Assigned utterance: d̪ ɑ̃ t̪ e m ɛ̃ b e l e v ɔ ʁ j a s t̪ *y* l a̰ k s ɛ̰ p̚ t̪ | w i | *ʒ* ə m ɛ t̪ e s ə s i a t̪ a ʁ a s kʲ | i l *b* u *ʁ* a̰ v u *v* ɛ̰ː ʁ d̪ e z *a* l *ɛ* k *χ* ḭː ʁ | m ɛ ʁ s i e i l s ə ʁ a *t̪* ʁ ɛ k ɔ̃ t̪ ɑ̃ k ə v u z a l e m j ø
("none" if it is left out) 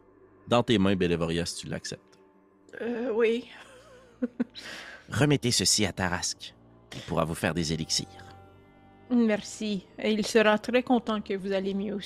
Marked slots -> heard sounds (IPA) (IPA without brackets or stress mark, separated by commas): y, ʁ, p, ʁ, f, e, i, s, t̪